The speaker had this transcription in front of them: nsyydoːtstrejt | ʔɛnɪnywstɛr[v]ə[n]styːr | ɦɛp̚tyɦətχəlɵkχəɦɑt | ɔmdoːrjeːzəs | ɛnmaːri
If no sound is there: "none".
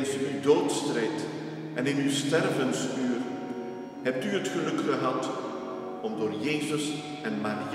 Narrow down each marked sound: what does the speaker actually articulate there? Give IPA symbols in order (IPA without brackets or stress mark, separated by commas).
v, n